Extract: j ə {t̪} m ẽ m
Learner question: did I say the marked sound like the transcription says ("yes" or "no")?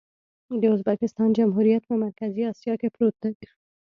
yes